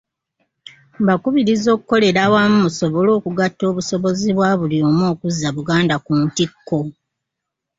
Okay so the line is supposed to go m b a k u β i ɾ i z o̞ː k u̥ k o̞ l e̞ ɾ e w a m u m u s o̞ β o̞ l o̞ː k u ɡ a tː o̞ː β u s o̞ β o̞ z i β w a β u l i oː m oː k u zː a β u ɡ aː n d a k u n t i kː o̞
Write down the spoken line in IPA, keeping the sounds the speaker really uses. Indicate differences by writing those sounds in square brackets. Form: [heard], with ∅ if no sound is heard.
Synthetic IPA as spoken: m b a k u β i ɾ i z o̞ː k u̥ k o̞ l e̞ ɾ [a] w a m u m u s o̞ β o̞ l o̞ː k u ɡ a tː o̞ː β u s o̞ β o̞ z i β w a β u l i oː m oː k u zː a β u ɡ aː n d a k u n t i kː o̞